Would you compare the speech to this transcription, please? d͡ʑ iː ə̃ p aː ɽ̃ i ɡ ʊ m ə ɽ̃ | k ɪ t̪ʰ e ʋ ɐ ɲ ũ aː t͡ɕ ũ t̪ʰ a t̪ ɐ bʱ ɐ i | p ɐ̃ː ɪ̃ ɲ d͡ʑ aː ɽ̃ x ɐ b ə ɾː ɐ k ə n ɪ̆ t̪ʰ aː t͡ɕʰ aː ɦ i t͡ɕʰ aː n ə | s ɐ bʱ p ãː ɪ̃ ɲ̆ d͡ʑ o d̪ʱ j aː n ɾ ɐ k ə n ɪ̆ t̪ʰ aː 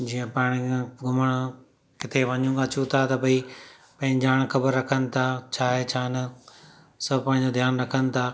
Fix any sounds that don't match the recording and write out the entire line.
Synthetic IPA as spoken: d͡ʑ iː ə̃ p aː ɽ̃ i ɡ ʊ m ə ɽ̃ | k ɪ t̪ʰ e ʋ ɐ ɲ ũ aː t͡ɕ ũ t̪ʰ a t̪ ɐ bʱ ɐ i | p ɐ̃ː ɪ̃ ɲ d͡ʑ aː ɽ̃ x ɐ b ə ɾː ɐ kʰ ə n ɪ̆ t̪ʰ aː t͡ɕʰ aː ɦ e t͡ɕʰ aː n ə | s ɐ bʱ p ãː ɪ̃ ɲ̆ d͡ʑ o d̪ʱ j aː n ɾ ɐ kʰ ə n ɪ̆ t̪ʰ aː